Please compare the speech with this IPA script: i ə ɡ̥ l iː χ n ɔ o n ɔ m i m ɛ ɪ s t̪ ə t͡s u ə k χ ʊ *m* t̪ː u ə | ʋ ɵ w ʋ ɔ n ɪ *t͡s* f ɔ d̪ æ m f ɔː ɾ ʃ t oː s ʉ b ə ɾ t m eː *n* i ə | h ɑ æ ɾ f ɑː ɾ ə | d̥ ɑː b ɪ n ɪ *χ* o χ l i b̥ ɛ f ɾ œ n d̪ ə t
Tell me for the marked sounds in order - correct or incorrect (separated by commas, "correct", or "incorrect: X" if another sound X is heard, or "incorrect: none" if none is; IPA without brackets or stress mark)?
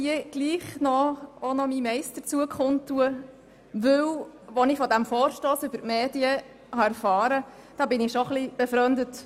incorrect: n, incorrect: none, incorrect: d, incorrect: ʃ